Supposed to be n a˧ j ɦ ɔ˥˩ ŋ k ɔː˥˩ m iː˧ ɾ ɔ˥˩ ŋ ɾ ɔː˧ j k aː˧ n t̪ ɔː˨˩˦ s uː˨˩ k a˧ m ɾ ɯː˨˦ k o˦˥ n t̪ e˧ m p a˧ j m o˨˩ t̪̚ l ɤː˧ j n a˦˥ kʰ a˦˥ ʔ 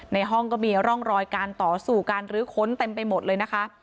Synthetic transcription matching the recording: n a˧ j ɦ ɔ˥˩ ŋ k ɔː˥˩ m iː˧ ɾ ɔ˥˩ ŋ ɾ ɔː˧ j k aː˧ n t̪ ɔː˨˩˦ s uː˨˩ k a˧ n ɾ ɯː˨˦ kʰ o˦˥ n t̪ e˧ m p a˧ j m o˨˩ t̪̚ l ɤː˧ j n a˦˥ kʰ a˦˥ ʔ